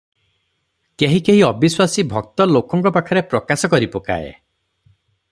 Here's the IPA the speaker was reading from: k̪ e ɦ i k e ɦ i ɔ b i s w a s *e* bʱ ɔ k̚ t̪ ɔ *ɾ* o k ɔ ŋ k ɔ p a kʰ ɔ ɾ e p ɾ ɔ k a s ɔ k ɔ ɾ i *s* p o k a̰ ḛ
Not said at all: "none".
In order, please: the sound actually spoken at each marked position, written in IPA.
i, l, none

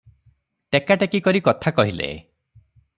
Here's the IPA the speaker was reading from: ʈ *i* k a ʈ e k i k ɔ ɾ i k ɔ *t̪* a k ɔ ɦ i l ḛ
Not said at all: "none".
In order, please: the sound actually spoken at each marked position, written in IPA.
e, t̪ʰ

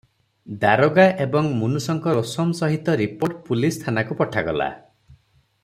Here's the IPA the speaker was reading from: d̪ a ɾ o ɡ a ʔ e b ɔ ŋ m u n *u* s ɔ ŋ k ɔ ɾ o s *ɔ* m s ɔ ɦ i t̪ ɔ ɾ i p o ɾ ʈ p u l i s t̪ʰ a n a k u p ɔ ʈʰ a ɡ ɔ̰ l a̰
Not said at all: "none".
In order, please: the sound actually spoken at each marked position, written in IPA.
u, ɔ

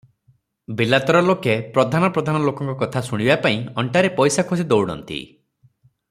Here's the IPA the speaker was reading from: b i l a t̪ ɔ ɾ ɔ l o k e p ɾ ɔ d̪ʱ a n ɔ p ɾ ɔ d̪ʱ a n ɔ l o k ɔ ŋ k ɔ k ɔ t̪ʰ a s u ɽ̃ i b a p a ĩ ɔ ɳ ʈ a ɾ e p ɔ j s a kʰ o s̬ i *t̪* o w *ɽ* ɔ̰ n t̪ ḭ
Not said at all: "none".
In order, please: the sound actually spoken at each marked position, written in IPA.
d̪, ɽ

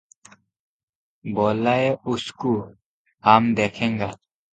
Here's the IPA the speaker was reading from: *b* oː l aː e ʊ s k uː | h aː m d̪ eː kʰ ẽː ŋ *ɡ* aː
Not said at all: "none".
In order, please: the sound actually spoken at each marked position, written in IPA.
b, ɡ

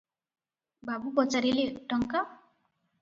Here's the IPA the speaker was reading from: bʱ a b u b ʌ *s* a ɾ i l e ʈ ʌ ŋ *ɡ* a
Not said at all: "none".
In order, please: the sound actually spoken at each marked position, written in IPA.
t͡s, k

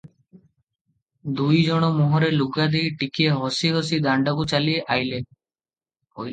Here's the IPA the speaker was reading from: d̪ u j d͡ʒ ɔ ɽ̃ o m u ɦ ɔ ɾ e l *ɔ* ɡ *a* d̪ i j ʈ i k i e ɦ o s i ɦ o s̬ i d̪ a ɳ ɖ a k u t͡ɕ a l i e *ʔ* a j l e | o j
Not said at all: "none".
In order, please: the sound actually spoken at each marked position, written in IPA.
u, a, ʔ

